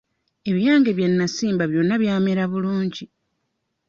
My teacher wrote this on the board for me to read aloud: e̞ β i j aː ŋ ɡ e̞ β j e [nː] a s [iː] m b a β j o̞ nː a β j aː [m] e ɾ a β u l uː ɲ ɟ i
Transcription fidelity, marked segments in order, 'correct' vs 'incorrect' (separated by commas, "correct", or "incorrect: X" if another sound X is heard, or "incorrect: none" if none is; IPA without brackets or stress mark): correct, correct, correct